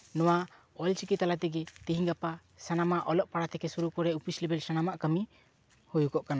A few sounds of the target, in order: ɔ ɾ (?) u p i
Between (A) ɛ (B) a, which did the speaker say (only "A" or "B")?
A